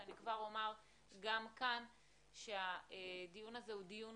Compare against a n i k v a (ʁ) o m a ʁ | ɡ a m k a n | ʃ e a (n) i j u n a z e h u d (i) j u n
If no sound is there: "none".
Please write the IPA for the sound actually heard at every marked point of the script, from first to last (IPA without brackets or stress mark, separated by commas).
ʁ, d, i